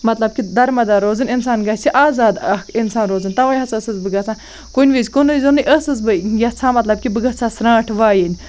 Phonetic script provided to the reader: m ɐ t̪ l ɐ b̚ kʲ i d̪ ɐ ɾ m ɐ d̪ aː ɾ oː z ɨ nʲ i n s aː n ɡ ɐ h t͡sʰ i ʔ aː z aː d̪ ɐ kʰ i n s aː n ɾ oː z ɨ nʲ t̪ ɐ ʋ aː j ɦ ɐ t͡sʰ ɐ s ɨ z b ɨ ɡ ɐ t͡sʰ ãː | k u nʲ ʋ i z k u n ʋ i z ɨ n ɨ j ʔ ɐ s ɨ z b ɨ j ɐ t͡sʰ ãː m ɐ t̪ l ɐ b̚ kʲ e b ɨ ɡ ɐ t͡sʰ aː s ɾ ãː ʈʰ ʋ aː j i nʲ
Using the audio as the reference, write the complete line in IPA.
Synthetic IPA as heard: m ɐ t̪ l ɐ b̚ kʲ i d̪ ɐ ɾ m ɐ d̪ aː ɾ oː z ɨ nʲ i n s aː n ɡ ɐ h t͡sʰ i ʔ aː z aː d̪ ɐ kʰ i n s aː n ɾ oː z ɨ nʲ t̪ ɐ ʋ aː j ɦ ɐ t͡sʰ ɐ s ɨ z b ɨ ɡ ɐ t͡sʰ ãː | k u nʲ ʋ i z k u n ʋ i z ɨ n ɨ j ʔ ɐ s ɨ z b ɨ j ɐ t͡sʰ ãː m ɐ t̪ l ɐ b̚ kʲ i b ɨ ɡ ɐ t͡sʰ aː s ɾ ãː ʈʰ ʋ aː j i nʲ